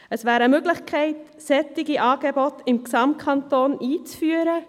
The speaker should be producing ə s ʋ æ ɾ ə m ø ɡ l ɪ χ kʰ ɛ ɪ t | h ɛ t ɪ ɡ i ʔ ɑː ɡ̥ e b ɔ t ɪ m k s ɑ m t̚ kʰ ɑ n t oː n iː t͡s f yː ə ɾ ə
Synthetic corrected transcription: ə s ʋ æː ɾ ə m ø ɡ l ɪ χ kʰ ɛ ɪ t | s ɛ t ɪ ɡ i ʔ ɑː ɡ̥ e b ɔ t ɪ m k s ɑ m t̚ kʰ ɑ n t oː n iː t͡s f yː ə ɾ ə